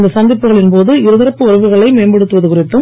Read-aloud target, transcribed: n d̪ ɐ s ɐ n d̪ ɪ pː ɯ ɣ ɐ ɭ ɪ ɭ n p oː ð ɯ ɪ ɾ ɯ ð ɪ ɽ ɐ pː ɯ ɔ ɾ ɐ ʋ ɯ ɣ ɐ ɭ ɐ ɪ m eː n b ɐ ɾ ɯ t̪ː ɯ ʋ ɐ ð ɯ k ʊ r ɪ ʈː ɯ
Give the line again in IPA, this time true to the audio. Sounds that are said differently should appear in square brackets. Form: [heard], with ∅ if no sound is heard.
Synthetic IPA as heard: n d̪ ɐ s ɐ n d̪ ɪ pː ɯ ɣ ɐ ɭ ɪ [∅] n p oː ð ɯ ɪ ɾ ɯ ð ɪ [ɾ] ɐ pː ɯ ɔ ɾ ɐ ʋ ɯ ɣ ɐ ɭ ɐ ɪ m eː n b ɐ [ɽ] ɯ t̪ː ɯ ʋ ɐ ð ɯ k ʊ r ɪ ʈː ɯ

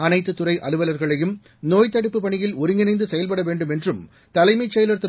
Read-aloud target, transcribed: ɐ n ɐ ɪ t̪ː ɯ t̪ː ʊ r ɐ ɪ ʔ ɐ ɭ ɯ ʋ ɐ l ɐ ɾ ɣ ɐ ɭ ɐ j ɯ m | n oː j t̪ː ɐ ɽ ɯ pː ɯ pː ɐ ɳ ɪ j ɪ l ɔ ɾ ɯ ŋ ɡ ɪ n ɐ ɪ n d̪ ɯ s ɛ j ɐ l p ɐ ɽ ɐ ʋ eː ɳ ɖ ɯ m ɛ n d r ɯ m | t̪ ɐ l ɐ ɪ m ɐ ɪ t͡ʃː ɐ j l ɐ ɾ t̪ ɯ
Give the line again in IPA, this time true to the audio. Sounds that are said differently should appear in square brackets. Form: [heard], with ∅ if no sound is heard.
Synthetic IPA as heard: ɐ n ɐ ɪ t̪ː ɯ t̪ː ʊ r ɐ ɪ ʔ ɐ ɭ ɯ ʋ ɐ l ɐ ɾ ɣ ɐ ɭ ɐ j ɯ m | n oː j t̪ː ɐ ɽ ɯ pː ɯ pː ɐ ɳ ɪ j ɪ l ɔ ɾ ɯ ŋ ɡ ɪ n ɐ ɪ n d̪ ɯ s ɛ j ɐ l p ɐ ɽ ɐ ʋ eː ɳ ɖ ɯ m ɛ n d r ɯ m | t̪ ɐ l ɐ ɪ m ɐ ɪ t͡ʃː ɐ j l ɐ ɾ t̪ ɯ

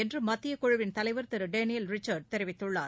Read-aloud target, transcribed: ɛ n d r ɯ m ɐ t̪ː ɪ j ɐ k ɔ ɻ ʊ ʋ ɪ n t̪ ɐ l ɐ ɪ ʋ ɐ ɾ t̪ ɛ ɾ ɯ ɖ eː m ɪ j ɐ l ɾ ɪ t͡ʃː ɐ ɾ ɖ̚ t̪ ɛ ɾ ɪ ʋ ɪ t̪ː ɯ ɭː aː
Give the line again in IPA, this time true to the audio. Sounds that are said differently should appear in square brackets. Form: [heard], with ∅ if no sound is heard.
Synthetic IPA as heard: ɛ n d r ɯ m ɐ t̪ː ɪ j ɐ k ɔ ɻ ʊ ʋ ɪ n t̪ ɐ l ɐ ɪ ʋ ɐ ɾ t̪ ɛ ɾ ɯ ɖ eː [n] ɪ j ɐ l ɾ ɪ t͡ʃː ɐ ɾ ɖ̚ t̪ ɛ ɾ ɪ ʋ ɪ t̪ː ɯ ɭː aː

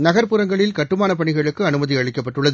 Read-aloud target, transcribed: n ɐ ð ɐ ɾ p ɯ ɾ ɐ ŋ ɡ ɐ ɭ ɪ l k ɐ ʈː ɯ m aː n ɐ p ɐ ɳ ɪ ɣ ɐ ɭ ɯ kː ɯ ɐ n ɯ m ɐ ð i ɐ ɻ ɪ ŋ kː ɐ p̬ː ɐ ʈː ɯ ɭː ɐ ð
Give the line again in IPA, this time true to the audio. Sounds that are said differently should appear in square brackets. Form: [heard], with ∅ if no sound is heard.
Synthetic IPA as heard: n ɐ [ɣ] ɐ ɾ p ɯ ɾ ɐ ŋ ɡ ɐ ɭ ɪ l k ɐ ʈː ɯ m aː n ɐ p ɐ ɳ ɪ ɣ ɐ ɭ ɯ kː ɯ ɐ n ɯ m ɐ ð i ɐ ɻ ɪ [∅] kː ɐ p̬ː ɐ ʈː ɯ ɭː ɐ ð

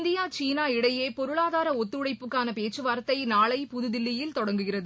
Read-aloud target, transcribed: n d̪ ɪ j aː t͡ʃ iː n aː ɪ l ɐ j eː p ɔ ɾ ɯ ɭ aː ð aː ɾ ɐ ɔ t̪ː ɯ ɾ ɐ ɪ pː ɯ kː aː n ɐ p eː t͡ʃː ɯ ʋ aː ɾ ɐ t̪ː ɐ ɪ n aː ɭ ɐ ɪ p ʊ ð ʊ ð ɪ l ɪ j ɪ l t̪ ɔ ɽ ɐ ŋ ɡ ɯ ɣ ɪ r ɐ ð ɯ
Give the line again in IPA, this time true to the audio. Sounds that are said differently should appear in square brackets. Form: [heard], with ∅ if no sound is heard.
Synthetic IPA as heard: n d̪ ɪ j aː t͡ʃ iː n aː ɪ [ɽ] ɐ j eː p ɔ ɾ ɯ ɭ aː ð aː ɾ ɐ ɔ t̪ː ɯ [ɽ] ɐ ɪ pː ɯ kː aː n ɐ p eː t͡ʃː ɯ ʋ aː ɾ ɐ t̪ː ɐ ɪ n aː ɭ ɐ ɪ p ʊ ð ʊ ð ɪ [lː] ɪ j ɪ l t̪ ɔ ɽ ɐ ŋ ɡ ɯ ɣ ɪ r ɐ ð ɯ

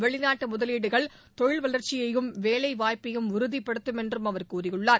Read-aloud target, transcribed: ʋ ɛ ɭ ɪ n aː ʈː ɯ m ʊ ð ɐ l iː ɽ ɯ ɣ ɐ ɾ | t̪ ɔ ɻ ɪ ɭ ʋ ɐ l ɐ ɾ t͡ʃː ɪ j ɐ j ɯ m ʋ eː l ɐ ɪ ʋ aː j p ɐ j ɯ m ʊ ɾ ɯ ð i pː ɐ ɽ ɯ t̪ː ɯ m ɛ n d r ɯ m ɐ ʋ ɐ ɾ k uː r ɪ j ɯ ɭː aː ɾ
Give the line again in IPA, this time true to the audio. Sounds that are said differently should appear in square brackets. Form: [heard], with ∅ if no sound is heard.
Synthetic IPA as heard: ʋ ɛ ɭ ɪ n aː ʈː ɯ m ʊ ð ɐ l iː ɽ ɯ ɣ ɐ [ɭ] | t̪ ɔ ɻ ɪ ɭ ʋ ɐ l ɐ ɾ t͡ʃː ɪ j ɐ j ɯ m ʋ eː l ɐ ɪ ʋ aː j p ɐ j ɯ m ʊ ɾ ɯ ð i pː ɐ ɽ ɯ t̪ː ɯ m ɛ n d r ɯ m ɐ ʋ ɐ ɾ k uː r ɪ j ɯ ɭː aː ɾ

